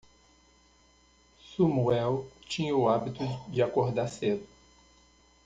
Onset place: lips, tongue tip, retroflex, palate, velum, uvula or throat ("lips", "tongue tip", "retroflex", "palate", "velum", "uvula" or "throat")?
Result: tongue tip